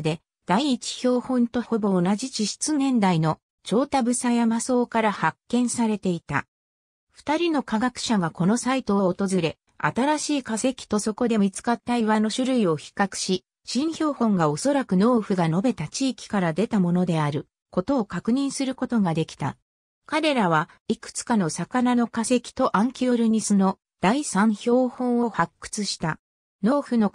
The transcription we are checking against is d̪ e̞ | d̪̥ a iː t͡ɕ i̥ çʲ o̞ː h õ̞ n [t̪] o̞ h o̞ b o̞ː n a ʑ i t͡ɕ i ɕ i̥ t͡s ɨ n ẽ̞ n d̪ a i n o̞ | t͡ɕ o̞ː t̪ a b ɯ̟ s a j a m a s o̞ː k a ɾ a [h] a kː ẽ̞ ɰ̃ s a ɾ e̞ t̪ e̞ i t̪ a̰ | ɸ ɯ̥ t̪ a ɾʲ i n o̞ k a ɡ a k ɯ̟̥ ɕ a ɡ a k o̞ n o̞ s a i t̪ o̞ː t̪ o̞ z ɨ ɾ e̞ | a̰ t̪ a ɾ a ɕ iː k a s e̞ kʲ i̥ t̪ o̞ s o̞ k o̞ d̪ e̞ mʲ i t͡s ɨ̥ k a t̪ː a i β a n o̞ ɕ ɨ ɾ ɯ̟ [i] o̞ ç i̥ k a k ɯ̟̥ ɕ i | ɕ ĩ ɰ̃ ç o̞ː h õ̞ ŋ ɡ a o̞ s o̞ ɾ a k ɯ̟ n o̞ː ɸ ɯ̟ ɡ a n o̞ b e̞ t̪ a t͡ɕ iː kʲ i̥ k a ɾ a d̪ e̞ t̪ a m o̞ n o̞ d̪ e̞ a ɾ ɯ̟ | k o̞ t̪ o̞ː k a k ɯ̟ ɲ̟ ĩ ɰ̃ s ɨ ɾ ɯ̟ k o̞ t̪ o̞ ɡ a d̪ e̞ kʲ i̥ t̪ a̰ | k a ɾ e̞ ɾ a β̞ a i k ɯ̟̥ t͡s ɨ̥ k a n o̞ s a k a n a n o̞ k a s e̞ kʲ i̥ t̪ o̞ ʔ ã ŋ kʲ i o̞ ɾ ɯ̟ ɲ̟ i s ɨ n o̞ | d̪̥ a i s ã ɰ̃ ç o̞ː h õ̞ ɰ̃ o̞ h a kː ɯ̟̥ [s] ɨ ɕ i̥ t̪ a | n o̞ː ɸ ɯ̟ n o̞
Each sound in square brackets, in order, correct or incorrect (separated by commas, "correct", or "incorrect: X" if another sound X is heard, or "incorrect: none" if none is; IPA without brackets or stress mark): correct, correct, correct, incorrect: t͡s